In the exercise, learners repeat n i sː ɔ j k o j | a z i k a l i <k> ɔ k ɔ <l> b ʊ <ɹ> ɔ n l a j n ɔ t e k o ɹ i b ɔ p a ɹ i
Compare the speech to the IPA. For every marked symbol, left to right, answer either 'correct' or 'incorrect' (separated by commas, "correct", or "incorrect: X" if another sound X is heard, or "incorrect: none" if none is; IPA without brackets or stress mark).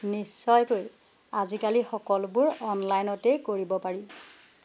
incorrect: x, correct, correct